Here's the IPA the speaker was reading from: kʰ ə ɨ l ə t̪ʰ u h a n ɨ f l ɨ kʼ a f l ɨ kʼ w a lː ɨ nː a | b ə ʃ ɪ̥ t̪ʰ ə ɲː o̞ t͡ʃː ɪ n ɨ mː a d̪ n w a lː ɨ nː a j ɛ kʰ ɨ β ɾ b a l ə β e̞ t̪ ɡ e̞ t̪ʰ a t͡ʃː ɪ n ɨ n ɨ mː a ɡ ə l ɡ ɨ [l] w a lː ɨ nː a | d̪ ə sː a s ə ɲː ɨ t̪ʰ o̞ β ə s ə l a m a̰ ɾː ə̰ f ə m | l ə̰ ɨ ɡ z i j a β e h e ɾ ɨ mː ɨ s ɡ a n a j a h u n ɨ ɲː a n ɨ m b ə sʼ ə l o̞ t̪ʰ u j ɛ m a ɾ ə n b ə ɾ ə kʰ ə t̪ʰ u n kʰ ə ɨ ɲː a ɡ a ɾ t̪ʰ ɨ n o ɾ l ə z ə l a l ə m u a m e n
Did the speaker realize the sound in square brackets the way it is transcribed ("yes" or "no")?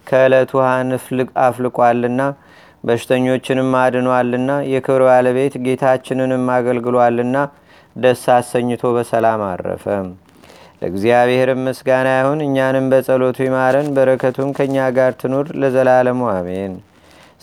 yes